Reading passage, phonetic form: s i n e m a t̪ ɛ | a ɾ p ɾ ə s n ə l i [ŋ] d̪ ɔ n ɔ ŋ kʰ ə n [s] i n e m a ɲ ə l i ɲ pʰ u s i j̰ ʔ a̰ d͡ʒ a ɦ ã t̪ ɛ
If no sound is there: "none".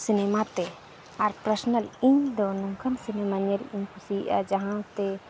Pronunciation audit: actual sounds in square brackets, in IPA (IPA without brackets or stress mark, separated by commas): ɲ, s